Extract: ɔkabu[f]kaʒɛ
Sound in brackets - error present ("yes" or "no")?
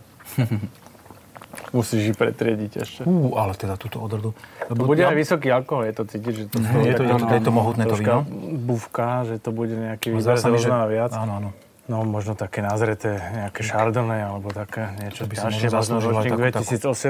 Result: no